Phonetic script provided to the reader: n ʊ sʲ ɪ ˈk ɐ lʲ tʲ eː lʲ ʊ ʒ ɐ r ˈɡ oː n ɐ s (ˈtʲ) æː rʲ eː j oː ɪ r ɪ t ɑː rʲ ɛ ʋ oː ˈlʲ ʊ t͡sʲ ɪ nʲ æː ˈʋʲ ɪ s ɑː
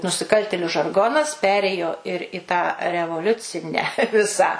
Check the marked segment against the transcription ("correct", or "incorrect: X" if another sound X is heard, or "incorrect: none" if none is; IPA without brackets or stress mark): incorrect: pʲ